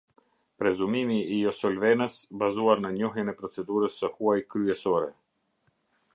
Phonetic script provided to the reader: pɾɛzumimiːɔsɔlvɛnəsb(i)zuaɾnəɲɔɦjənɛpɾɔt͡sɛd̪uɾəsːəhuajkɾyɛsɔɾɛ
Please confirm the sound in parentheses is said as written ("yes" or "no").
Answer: no